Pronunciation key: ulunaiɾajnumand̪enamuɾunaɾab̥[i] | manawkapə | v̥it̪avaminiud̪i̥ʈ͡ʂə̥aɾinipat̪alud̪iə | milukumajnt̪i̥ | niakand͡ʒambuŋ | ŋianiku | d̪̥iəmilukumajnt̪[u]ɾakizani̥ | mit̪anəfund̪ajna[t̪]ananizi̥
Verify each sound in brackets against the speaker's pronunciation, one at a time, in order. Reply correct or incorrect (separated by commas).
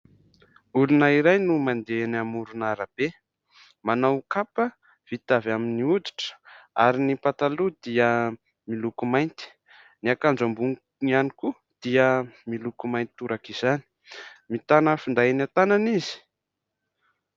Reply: incorrect, correct, correct